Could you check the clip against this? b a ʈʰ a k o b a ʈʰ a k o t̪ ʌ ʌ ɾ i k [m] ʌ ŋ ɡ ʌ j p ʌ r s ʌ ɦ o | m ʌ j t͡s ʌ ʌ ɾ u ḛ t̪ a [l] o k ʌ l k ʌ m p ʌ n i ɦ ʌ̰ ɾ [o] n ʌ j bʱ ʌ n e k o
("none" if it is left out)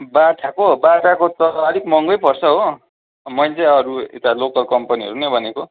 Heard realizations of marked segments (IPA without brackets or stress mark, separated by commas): m, l, u